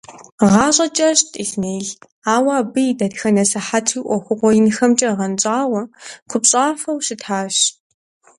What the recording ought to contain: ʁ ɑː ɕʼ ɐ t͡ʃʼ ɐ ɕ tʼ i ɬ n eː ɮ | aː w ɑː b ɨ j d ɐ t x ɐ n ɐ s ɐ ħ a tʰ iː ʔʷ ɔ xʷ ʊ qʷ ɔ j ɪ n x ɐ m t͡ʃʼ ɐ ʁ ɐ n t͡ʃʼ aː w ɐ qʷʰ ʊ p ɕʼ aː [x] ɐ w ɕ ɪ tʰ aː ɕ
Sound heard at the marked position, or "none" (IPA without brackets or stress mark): f